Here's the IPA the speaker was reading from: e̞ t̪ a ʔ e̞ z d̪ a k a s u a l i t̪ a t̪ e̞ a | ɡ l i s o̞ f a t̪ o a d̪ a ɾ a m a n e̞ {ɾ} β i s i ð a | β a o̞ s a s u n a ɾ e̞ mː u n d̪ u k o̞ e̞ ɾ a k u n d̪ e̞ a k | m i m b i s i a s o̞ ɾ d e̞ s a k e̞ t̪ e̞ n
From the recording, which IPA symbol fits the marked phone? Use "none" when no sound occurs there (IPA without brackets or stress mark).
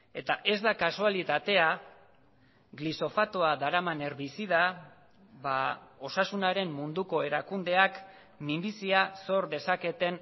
ɾ